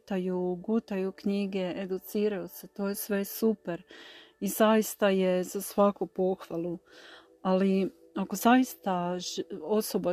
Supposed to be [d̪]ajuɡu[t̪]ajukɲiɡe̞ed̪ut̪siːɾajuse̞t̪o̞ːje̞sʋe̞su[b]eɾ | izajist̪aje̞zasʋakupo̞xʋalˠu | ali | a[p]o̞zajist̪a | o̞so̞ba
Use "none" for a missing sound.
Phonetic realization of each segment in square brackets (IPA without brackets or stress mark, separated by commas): t̪, t̪, p, k